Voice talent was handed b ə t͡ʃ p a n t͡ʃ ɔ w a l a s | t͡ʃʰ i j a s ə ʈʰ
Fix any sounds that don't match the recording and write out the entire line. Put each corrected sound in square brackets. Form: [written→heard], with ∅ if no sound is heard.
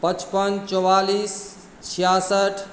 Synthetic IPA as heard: [b→p] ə t͡ʃ p [a→ə] n t͡ʃ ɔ w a l [a→i] s | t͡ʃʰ i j a s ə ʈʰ